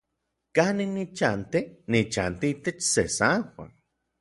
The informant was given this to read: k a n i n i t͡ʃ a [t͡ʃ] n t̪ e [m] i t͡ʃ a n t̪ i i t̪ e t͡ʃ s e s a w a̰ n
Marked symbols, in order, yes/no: no, no

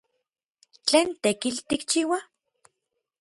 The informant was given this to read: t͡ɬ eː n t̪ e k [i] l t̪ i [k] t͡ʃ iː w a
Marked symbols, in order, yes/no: yes, yes

